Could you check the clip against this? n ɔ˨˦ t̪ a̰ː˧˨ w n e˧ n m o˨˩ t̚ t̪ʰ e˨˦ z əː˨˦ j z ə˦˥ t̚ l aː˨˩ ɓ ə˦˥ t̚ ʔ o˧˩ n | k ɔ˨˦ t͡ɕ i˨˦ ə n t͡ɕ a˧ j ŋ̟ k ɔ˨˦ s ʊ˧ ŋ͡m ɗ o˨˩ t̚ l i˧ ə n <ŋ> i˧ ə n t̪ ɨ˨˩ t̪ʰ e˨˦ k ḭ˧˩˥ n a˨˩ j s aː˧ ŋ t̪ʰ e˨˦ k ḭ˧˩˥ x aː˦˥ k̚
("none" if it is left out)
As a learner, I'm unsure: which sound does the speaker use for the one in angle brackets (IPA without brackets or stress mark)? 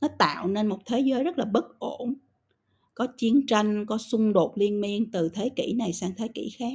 m